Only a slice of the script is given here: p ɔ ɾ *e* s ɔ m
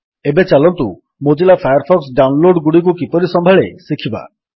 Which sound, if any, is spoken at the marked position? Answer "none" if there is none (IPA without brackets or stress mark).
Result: i